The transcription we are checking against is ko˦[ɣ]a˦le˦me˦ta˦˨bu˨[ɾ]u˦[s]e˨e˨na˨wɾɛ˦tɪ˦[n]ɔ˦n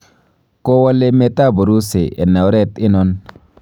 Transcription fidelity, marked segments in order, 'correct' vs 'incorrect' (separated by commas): incorrect, correct, correct, correct